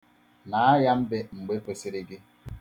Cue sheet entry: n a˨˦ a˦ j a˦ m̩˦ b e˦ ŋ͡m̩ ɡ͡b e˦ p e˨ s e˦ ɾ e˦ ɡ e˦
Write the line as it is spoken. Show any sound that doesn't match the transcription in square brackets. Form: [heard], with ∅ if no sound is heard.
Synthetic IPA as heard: n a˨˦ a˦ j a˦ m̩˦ b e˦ ŋ͡m̩ ɡ͡b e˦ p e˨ s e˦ ɾ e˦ ɡ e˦